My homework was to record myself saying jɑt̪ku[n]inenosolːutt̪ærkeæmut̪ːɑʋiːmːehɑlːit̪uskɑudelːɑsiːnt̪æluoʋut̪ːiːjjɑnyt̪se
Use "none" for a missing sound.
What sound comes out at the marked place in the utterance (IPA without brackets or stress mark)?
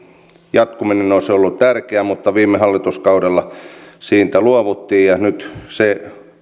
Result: m